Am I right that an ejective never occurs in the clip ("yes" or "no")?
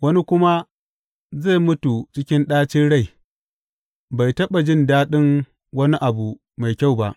yes